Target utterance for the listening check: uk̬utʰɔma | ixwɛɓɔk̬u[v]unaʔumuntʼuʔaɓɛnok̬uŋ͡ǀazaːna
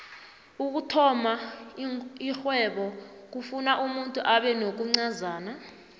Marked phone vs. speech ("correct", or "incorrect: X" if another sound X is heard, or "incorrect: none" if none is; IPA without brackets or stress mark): incorrect: f